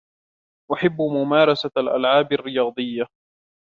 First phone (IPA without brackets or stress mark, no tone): ʔ